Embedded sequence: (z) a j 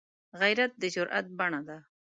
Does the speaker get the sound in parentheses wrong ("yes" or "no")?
yes